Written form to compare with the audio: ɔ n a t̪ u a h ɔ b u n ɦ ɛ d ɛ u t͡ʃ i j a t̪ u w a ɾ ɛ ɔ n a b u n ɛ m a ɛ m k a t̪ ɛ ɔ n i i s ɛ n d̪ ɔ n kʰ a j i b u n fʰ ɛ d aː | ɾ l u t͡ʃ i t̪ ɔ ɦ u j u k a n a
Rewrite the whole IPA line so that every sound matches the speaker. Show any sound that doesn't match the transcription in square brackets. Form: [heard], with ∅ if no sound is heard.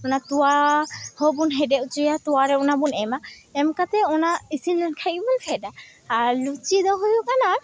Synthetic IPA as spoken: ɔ n a t̪ u a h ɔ b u n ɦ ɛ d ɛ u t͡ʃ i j a t̪ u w a ɾ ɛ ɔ n a b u n ɛ m a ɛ m k a t̪ ɛ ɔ n [a] i s [i] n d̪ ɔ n kʰ a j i b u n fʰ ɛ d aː | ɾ l u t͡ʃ i [d̪] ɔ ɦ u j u k a n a